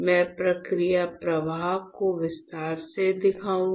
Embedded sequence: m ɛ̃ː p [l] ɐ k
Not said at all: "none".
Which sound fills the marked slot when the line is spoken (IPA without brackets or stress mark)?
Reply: ɾ